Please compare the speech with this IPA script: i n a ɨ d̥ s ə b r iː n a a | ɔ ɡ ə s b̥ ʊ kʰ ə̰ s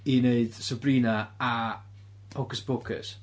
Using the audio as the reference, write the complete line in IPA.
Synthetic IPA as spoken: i n e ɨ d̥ s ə b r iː n a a | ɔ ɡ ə s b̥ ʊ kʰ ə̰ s